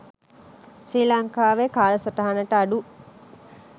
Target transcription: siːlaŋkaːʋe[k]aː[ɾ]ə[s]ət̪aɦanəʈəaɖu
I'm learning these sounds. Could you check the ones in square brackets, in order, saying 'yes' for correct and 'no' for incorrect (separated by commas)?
yes, no, yes